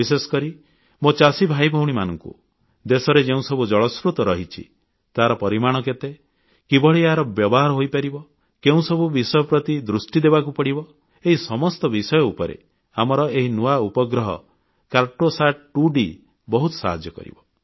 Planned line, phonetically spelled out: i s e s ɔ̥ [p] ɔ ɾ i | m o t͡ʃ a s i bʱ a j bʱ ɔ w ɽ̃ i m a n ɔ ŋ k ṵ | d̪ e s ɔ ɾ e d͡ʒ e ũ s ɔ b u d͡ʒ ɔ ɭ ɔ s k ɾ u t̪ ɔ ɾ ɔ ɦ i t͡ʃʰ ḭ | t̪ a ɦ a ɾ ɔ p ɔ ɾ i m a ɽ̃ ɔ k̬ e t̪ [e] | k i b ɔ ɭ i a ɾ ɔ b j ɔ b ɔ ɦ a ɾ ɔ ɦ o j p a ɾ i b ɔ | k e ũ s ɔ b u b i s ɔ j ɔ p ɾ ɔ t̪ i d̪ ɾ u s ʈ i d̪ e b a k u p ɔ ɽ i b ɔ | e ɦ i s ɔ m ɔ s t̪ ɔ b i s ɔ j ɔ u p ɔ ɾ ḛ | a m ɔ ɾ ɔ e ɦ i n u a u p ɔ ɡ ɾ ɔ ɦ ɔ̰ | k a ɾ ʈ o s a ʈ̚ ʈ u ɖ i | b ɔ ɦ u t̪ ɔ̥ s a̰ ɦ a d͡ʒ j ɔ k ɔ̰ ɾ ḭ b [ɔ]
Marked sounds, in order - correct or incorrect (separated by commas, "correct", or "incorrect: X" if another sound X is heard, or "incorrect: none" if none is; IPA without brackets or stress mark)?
incorrect: k, correct, correct